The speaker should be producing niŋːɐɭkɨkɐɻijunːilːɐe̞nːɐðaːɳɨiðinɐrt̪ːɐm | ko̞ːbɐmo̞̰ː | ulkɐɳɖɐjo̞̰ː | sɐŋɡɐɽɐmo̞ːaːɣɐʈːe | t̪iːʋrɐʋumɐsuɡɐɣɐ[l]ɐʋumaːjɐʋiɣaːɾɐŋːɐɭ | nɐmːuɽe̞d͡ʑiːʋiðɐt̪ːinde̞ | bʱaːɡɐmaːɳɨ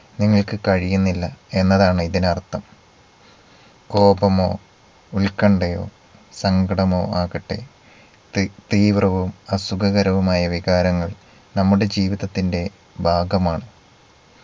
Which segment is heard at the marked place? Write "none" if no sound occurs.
ɾ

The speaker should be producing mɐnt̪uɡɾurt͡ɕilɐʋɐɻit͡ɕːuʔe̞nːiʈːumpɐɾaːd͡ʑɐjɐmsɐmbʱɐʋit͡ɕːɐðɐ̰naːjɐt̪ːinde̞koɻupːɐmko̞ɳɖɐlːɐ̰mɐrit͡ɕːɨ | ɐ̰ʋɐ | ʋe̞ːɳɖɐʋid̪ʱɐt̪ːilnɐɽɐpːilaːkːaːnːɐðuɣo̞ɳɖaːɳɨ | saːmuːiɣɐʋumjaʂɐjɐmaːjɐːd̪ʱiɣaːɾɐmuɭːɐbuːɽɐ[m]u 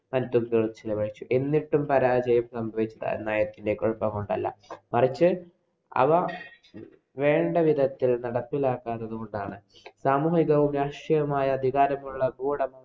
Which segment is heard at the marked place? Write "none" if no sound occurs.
m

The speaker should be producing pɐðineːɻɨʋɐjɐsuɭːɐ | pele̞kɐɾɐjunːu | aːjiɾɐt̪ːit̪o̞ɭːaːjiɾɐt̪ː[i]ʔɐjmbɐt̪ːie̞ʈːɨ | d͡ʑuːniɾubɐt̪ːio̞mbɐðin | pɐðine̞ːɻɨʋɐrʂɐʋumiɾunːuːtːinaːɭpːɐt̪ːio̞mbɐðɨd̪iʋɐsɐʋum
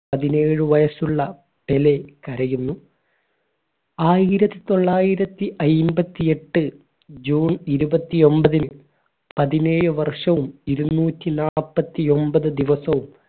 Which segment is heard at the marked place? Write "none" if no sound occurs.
i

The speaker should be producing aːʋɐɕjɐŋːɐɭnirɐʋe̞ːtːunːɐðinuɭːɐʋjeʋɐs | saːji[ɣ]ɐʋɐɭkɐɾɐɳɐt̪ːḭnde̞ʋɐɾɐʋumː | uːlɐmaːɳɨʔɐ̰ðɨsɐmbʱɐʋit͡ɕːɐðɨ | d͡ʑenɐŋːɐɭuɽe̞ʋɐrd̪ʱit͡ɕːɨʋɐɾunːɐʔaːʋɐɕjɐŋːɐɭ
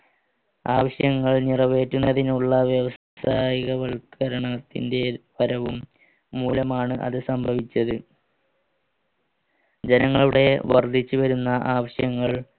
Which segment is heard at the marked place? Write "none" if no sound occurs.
ɣ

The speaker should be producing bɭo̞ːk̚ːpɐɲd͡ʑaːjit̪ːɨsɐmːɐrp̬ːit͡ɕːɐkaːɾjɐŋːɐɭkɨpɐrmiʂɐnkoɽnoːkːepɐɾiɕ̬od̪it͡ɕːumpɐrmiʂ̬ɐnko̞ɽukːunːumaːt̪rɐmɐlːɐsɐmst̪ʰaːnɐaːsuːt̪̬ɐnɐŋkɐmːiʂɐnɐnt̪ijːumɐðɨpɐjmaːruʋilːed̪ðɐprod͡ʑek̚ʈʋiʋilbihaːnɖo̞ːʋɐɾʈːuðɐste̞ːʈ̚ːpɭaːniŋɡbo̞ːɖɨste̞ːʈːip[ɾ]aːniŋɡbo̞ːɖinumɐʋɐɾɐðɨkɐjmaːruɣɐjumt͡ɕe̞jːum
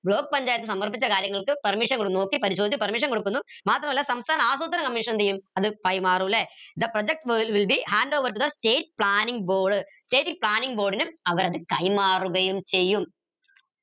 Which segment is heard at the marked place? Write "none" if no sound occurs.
ɭ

